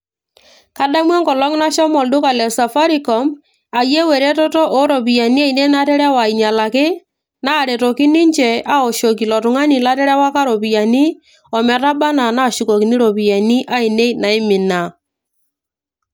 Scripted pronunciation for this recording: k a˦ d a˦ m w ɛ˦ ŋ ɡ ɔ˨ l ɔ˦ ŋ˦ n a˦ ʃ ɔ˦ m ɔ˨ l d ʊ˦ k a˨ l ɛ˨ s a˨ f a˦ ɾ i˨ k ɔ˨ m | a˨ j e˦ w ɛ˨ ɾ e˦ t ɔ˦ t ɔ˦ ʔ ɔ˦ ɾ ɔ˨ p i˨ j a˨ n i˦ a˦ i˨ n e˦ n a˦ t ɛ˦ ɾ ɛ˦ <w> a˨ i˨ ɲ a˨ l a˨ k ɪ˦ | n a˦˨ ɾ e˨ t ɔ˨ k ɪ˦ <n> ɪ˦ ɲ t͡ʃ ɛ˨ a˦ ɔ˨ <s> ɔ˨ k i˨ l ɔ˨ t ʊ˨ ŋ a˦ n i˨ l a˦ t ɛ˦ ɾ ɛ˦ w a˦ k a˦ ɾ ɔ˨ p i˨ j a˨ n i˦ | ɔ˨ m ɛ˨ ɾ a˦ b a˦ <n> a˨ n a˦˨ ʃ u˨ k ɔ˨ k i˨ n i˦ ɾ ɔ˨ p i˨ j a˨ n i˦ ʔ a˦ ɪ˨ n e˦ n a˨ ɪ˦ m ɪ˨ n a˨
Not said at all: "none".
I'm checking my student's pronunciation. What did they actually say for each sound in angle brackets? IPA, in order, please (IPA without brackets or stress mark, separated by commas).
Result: w, n, ʃ, n